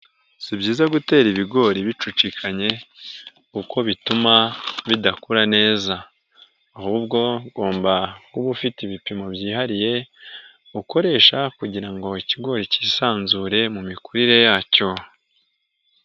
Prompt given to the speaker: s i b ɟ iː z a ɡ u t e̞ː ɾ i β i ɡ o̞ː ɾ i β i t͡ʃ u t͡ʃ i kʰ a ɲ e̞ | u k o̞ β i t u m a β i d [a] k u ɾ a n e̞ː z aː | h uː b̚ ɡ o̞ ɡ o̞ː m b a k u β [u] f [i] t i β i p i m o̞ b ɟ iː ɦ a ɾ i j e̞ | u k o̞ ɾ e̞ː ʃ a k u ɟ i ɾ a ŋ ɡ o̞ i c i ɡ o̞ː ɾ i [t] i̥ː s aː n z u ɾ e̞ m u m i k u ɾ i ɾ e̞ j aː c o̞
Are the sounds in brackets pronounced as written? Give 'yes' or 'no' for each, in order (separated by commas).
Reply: yes, yes, yes, no